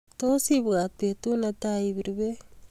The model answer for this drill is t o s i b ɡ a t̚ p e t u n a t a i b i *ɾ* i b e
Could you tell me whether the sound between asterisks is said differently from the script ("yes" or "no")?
no